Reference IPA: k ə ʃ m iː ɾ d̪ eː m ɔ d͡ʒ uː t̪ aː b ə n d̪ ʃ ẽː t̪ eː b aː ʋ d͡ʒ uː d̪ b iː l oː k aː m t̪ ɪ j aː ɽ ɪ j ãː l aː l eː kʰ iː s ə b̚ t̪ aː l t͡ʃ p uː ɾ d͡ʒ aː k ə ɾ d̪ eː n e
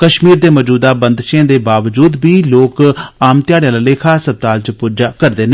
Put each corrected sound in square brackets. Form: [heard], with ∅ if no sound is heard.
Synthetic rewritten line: k ə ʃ m iː ɾ d̪ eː m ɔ d͡ʒ uː [d̪] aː b ə n d̪ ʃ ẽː [d̪] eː b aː ʋ d͡ʒ uː d̪ b iː l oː k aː m t̪ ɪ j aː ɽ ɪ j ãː l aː l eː kʰ [aː] s ə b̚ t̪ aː l t͡ʃ p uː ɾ d͡ʒ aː k ə ɾ d̪ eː n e